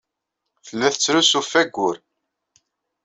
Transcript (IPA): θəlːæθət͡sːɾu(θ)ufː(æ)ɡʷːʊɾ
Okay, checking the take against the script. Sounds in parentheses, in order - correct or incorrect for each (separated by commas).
incorrect, correct